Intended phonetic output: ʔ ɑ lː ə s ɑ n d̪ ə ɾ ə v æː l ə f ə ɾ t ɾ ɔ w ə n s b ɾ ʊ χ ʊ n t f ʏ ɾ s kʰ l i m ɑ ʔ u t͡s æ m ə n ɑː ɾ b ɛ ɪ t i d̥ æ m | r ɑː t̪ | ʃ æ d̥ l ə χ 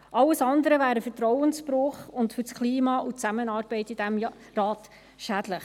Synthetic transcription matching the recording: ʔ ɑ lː ə s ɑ n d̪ ə ɾ ə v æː ɾ ə f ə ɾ t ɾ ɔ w ə n s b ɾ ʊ χ ʊ n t f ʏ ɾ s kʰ l iː m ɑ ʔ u t͡s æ m ə n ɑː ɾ b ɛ ɪ t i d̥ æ m | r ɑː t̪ | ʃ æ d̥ l ə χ